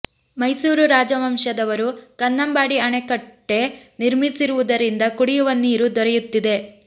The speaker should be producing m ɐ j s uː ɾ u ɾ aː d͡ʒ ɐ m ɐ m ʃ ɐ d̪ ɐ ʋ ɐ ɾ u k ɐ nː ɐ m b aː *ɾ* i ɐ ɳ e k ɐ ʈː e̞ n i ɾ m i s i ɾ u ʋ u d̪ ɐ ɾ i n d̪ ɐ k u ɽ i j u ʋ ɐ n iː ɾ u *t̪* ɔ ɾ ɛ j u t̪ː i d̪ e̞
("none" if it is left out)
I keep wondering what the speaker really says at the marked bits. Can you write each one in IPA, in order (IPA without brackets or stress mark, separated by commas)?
ɽ, d̪